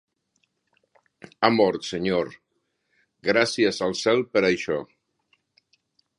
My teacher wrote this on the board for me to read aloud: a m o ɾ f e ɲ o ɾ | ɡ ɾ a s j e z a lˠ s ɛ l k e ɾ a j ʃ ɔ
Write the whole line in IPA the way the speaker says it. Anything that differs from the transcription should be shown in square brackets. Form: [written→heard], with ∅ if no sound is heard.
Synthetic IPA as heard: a m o ɾ [f→s] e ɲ o ɾ | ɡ ɾ a s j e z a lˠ s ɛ l [k→p] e ɾ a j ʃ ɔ